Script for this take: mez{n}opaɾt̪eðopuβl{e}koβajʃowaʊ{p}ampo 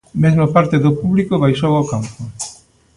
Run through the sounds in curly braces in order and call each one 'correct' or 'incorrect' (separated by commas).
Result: incorrect, incorrect, incorrect